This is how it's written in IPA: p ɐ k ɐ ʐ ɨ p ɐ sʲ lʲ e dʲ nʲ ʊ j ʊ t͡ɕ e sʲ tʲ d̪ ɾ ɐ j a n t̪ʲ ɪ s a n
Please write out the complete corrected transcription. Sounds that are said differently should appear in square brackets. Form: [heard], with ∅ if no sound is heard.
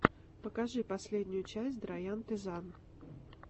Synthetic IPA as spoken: p [ə] k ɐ ʐ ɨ p ɐ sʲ lʲ e dʲ nʲ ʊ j ʊ t͡ɕ [æ] sʲ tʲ d̪ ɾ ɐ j a n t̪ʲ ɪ [z] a n